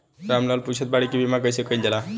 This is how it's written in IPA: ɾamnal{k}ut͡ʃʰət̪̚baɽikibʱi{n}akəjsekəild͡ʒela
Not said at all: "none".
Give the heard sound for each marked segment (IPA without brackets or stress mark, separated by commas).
p, m